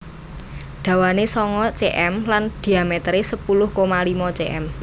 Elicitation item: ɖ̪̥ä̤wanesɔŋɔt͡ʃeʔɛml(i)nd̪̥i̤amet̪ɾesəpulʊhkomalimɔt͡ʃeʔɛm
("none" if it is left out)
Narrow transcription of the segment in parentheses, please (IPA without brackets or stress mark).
a